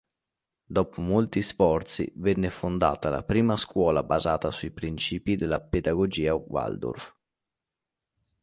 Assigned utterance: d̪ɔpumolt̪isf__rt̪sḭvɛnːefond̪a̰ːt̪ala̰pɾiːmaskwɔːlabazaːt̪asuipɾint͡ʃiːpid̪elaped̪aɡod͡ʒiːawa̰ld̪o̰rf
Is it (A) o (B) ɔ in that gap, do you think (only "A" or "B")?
B